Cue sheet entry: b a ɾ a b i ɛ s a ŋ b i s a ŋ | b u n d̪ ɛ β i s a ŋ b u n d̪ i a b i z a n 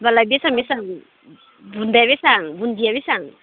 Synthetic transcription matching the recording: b a l a b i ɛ s a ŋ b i s a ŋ | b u n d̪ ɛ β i s a ŋ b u n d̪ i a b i s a ŋ